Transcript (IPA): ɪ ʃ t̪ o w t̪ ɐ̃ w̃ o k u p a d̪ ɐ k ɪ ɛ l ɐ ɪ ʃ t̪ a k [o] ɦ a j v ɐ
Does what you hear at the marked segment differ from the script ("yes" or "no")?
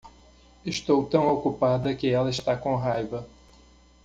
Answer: yes